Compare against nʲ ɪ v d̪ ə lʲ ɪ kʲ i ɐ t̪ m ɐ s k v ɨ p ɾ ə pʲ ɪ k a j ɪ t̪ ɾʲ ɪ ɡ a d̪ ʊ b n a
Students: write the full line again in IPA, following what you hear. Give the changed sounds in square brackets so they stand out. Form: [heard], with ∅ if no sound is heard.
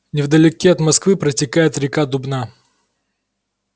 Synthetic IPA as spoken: nʲ ɪ v d̪ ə lʲ ɪ kʲ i ɐ t̪ m ɐ s k v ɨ p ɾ ə [tʲ] ɪ k a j ɪ t̪ ɾʲ ɪ [k] a d̪ ʊ b n a